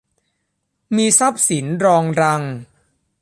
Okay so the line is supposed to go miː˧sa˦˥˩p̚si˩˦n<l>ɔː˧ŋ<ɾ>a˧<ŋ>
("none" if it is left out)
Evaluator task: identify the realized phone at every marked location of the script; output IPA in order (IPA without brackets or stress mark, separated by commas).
ɾ, ɾ, ŋ